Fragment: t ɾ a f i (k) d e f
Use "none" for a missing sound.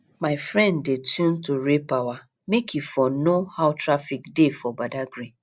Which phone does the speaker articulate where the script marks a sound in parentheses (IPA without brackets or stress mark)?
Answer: k